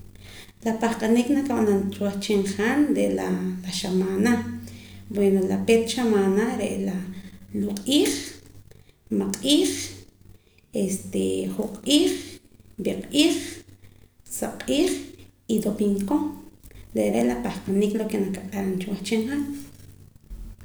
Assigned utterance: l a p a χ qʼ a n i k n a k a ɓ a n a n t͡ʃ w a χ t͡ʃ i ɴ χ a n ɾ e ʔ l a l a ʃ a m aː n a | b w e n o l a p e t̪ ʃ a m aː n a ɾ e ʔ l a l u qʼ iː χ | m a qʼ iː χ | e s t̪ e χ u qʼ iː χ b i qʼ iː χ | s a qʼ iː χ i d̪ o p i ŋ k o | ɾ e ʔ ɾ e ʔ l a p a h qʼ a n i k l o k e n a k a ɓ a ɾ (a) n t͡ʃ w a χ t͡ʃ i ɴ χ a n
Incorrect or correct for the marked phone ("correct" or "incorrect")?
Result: correct